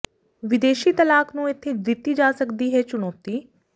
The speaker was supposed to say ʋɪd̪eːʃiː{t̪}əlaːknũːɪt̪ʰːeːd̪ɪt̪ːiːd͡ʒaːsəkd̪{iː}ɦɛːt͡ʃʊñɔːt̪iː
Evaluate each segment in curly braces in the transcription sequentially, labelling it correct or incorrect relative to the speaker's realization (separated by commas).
correct, correct